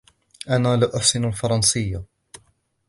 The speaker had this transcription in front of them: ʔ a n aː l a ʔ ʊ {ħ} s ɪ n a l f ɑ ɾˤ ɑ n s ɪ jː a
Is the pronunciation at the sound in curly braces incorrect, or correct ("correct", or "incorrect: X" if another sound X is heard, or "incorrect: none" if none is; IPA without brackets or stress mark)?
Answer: correct